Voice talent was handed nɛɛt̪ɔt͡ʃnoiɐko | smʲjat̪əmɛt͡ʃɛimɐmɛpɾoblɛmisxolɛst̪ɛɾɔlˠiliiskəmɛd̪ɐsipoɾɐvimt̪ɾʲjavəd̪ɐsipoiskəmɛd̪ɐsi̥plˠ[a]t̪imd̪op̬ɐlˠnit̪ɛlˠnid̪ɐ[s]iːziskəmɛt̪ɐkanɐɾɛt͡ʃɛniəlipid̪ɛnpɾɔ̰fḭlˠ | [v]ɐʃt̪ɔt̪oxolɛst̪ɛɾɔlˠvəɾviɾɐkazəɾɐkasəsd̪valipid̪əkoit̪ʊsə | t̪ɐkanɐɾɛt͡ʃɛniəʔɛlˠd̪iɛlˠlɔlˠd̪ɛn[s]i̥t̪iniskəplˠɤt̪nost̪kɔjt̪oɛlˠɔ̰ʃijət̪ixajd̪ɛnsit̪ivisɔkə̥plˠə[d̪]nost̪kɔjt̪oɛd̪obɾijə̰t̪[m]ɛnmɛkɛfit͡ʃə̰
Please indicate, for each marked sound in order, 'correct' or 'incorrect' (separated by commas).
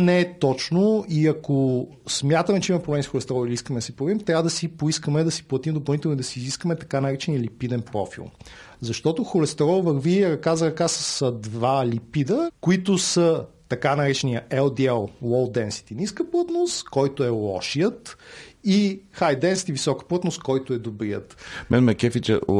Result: incorrect, correct, incorrect, correct, incorrect, correct